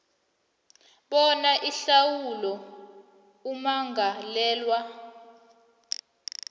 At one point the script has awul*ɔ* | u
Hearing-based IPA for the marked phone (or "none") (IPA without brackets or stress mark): ɔ